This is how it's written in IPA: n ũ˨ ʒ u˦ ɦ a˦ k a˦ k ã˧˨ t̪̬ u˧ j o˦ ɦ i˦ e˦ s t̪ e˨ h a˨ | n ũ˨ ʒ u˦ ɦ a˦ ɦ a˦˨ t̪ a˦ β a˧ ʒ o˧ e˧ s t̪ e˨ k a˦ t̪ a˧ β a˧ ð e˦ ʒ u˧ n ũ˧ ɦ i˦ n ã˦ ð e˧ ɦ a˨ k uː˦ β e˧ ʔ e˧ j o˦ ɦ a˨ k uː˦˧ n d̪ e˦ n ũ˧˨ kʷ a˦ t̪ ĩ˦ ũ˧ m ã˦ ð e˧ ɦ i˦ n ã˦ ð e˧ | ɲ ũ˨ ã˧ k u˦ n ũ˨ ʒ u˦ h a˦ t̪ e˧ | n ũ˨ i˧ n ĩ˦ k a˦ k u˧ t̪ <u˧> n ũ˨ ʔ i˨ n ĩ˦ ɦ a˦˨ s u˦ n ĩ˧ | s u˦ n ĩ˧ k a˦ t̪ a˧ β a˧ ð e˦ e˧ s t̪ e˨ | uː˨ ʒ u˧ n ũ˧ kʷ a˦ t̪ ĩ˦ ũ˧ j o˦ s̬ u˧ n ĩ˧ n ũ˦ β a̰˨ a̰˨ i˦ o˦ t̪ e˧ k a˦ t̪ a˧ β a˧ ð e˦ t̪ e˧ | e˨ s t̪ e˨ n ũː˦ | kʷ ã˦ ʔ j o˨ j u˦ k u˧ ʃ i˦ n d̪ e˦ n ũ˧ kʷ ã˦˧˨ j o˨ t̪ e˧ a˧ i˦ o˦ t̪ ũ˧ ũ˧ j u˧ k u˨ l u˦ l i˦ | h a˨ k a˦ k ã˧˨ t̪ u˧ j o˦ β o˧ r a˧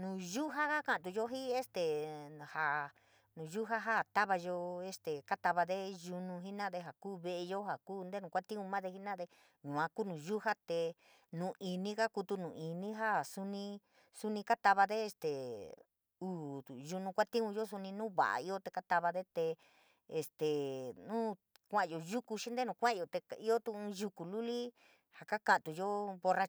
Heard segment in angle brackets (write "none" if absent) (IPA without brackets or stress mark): u˧